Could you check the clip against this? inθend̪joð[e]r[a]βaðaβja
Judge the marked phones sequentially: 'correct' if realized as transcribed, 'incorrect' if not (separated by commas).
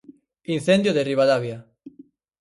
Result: correct, incorrect